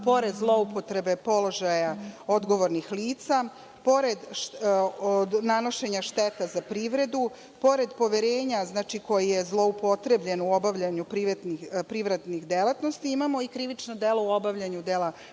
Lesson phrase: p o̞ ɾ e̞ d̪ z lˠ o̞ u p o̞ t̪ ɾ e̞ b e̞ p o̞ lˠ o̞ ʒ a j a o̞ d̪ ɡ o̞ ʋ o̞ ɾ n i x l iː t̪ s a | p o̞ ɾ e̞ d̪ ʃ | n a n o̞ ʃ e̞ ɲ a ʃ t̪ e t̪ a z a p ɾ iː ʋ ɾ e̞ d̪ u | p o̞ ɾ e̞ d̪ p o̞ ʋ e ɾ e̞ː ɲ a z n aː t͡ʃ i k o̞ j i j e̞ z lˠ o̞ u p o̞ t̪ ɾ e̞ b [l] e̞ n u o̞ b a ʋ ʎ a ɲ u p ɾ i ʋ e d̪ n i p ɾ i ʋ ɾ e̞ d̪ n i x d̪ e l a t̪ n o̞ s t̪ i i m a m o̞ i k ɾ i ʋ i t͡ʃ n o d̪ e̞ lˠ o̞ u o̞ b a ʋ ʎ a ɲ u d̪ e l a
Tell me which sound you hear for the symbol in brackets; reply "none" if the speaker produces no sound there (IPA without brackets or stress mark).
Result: ʎ